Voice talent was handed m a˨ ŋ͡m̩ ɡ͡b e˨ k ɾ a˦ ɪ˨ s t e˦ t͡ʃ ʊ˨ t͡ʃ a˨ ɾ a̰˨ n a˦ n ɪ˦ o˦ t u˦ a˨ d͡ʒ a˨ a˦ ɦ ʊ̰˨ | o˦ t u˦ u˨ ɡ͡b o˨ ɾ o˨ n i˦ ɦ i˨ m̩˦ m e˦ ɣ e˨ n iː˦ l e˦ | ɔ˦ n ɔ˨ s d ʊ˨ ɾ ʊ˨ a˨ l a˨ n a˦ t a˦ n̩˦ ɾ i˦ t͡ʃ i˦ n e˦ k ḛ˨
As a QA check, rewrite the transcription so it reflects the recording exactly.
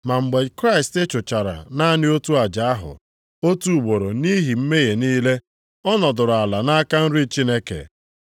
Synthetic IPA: m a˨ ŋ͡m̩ ɡ͡b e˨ k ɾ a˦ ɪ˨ s t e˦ t͡ʃ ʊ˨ t͡ʃ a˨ ɾ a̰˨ n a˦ n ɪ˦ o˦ t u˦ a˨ d͡ʒ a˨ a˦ ɦ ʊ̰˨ | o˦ t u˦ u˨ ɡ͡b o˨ ɾ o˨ n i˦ ɦ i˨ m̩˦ m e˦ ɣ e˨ n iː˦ l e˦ | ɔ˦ n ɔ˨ d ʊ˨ ɾ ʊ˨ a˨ l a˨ n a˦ k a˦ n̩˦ ɾ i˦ t͡ʃ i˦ n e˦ k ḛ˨